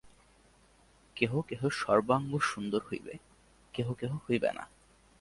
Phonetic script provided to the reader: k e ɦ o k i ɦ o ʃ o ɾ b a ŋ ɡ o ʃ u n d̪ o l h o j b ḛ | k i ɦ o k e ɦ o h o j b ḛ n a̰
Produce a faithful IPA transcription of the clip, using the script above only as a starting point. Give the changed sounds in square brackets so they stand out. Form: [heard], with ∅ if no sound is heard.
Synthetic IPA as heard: k e ɦ o k [e] ɦ o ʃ [ɔ] ɾ b a ŋ ɡ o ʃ u n d̪ o [ɾ] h o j b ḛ | k [e] ɦ o k e ɦ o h o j b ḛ n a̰